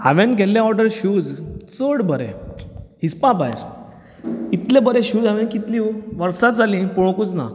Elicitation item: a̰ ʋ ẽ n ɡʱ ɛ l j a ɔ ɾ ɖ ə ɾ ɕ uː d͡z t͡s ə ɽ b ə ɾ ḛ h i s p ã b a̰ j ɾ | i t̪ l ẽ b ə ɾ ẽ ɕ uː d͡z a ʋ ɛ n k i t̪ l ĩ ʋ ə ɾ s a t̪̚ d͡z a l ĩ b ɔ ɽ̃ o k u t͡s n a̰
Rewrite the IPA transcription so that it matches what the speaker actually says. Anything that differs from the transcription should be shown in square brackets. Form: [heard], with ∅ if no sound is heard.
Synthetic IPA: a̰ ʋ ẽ n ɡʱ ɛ l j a ɔ ɾ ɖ ə ɾ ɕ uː d͡z t͡s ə ɽ b ə ɾ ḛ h i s p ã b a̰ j ɾ | i t̪ l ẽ b ə ɾ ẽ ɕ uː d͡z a ʋ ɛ n k i t̪ l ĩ ʋ ə ɾ s a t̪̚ d͡z a l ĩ [p] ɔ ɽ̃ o k u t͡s n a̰